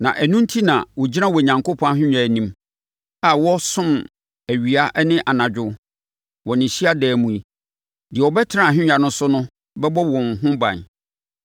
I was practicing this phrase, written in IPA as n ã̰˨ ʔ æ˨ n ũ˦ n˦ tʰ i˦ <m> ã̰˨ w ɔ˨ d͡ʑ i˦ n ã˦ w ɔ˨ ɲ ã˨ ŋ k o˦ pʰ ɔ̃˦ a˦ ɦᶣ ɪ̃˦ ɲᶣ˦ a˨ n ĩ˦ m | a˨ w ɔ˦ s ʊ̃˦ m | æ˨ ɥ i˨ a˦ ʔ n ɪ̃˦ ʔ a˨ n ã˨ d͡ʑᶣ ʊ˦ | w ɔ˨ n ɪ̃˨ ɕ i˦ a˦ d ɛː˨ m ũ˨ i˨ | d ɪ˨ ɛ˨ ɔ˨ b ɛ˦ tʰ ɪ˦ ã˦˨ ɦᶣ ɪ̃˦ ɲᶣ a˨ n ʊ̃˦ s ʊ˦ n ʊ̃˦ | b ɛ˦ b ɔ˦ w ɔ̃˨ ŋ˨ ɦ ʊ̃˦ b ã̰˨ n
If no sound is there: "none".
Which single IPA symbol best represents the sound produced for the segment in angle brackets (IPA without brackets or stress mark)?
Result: n